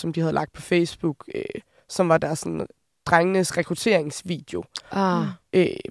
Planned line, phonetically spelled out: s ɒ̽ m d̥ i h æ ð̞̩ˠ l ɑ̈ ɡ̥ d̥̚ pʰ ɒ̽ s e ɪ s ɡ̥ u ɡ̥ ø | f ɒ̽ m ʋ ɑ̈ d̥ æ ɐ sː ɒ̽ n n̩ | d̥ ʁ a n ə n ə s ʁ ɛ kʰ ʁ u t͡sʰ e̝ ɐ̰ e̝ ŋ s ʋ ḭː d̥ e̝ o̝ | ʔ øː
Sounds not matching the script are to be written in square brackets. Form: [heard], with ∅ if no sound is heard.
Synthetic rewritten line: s ɒ̽ m d̥ i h æ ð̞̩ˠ l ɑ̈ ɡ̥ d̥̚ pʰ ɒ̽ [f] e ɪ s [b̥] u ɡ̥ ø | [s] ɒ̽ m ʋ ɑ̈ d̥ æ ɐ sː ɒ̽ n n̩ | d̥ ʁ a [ŋ] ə n ə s ʁ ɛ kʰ ʁ u t͡sʰ e̝ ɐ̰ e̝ ŋ s ʋ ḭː d̥ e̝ o̝ | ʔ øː